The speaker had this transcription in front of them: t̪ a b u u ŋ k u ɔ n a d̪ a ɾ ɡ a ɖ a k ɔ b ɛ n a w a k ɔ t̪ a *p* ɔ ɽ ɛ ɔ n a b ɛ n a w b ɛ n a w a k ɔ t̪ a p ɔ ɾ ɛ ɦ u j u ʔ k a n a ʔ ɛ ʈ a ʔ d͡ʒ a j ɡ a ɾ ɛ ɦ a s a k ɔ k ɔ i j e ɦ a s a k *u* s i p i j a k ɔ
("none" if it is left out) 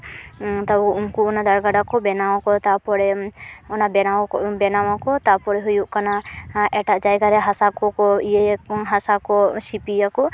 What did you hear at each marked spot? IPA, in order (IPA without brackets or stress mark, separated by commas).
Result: p, ɔ